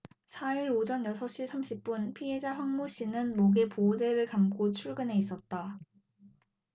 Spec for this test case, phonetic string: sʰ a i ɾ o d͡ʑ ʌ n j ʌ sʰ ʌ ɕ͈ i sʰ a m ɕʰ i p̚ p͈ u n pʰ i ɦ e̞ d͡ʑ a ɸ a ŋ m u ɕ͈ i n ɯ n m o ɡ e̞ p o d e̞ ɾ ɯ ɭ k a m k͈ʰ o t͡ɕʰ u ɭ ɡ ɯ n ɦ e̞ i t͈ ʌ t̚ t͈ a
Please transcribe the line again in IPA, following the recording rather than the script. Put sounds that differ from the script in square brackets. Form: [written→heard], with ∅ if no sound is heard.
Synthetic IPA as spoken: sʰ a i ɾ o d͡ʑ ʌ n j ʌ sʰ ʌ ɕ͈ i sʰ a m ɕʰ i p̚ p͈ u n pʰ i ɦ e̞ d͡ʑ a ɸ a ŋ m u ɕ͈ i n ɯ n m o ɡ e̞ p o d e̞ ɾ ɯ ɭ k a m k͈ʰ o t͡ɕʰ u ɭ ɡ ɯ n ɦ e̞ i [t͈→s͈] ʌ t̚ t͈ a